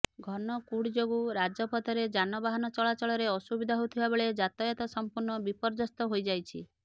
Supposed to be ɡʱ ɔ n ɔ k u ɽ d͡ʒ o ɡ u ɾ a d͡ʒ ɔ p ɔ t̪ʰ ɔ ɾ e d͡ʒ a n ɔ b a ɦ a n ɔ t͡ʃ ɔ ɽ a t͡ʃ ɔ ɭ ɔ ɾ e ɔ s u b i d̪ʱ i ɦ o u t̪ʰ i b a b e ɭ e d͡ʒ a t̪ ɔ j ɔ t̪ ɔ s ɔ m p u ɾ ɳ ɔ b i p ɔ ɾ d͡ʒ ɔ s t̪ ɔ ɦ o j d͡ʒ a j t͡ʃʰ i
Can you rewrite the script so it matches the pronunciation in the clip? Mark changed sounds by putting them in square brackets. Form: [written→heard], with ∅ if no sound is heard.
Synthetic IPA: ɡʱ ɔ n ɔ k u ɽ d͡ʒ o ɡ u ɾ a d͡ʒ ɔ p ɔ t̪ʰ ɔ ɾ e d͡ʒ a n ɔ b a ɦ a n ɔ t͡ʃ ɔ [ɽ→ɭ] a t͡ʃ ɔ ɭ ɔ ɾ e ɔ s u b i d̪ʱ [i→a] ɦ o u t̪ʰ i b a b e ɭ e d͡ʒ a t̪ ɔ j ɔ t̪ ɔ s ɔ m p u ɾ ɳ ɔ b i p ɔ ɾ d͡ʒ ɔ s t̪ ɔ ɦ o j d͡ʒ a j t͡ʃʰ i